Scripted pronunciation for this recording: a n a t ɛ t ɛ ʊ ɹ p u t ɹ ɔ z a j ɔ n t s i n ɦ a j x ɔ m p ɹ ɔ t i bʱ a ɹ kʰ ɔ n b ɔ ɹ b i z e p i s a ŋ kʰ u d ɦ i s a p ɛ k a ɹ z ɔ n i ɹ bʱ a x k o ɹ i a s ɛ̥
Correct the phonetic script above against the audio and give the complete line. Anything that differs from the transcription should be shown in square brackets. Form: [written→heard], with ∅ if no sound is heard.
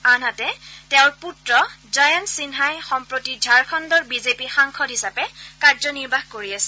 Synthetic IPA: a n a t ɛ t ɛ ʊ ɹ p u t ɹ ɔ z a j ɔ n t s i n ɦ a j x ɔ m p ɹ [ɔ→o] t i [bʱ→dʱ] a ɹ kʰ ɔ n [b→d] ɔ ɹ b i z e p i [s→x] a ŋ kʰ [u→ɔ] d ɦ i s a p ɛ k a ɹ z ɔ n i ɹ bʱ a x k o ɹ i a s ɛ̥